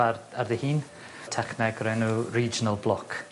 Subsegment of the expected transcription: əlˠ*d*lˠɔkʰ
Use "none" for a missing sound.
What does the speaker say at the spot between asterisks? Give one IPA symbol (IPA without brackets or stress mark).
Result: b